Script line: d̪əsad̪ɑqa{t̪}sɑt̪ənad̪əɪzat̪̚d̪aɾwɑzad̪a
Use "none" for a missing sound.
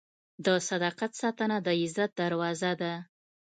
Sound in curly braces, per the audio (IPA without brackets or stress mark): t̪